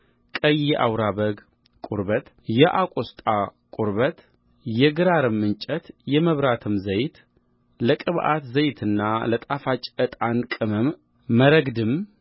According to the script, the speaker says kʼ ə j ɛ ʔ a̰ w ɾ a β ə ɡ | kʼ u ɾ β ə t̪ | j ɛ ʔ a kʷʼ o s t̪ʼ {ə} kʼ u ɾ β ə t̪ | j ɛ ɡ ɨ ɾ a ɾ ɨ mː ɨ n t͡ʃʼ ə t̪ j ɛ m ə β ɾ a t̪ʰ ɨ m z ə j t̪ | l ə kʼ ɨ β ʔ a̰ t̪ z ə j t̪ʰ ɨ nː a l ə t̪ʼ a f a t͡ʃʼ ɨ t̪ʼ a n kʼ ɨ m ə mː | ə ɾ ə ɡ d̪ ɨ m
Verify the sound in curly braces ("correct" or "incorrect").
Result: incorrect